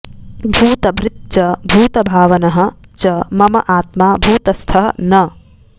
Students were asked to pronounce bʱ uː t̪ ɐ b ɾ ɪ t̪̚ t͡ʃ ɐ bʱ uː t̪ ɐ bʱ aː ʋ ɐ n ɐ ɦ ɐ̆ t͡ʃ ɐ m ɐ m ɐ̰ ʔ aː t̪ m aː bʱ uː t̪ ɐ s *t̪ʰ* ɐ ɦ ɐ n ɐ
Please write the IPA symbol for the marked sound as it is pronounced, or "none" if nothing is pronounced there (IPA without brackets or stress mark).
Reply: t̪ʰ